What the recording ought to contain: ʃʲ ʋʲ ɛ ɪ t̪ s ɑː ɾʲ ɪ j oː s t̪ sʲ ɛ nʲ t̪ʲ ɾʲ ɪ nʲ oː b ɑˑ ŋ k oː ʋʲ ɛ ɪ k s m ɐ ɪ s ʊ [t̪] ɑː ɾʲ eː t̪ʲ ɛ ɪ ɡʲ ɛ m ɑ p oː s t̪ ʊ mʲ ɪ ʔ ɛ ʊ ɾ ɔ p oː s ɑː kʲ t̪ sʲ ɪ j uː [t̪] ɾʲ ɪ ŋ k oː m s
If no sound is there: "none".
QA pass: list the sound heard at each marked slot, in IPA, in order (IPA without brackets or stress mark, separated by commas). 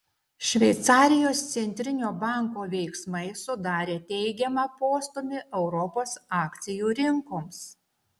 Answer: d̪, none